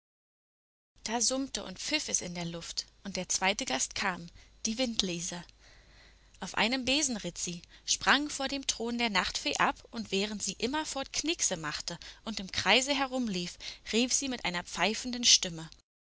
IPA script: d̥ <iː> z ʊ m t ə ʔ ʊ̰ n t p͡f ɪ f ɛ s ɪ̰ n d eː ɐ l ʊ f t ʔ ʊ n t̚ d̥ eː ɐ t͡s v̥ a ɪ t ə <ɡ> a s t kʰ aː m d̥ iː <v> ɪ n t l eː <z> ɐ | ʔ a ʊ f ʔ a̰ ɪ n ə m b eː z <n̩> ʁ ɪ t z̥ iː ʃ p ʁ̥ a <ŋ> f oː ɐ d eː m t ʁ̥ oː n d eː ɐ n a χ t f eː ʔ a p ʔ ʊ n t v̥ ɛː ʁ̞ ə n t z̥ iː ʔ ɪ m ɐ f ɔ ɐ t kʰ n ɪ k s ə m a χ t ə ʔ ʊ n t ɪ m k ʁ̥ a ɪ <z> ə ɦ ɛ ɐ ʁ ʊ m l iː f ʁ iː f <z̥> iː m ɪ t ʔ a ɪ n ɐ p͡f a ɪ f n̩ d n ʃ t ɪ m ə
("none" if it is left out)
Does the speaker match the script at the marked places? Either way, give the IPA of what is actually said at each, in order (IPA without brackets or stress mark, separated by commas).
aː, ɡ, v, z, n̩, ŋ, z, z̥